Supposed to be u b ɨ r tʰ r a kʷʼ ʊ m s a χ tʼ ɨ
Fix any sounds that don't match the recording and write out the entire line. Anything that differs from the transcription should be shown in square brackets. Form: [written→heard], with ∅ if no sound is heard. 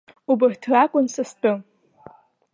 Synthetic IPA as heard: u b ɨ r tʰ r a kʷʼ ʊ [m→n] s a [χ→s] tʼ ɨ